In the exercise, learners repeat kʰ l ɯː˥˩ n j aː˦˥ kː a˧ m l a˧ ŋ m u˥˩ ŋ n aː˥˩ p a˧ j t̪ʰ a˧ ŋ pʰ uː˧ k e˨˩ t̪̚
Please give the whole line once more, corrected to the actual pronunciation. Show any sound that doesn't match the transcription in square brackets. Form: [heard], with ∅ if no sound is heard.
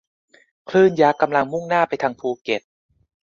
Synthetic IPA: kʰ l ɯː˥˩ n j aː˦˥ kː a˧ m l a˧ ŋ m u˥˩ ŋ n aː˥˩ p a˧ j t̪ʰ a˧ ŋ pʰ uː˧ k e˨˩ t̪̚